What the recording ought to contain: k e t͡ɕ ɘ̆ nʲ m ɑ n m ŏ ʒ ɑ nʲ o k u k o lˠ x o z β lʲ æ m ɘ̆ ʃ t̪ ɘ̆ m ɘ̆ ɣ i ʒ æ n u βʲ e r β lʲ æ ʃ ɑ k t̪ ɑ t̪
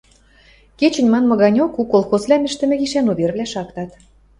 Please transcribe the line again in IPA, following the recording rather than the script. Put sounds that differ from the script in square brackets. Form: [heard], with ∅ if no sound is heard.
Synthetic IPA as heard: k e t͡ɕ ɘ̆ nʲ m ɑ n m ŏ [ɣ] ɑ nʲ o k u k o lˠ x o z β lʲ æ m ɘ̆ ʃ t̪ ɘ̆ m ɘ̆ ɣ i [ʃ] æ n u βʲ e r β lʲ æ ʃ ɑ k t̪ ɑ t̪